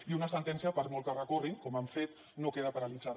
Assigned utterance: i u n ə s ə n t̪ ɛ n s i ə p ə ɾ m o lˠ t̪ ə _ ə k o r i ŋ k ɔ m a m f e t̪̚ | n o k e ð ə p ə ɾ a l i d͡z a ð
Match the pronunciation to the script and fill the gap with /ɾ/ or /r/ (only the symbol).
r